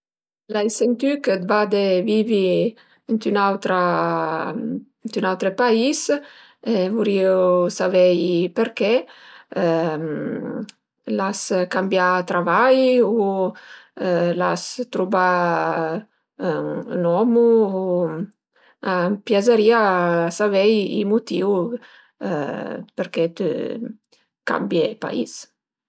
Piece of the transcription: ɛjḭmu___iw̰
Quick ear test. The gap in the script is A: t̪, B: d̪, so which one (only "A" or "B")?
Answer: A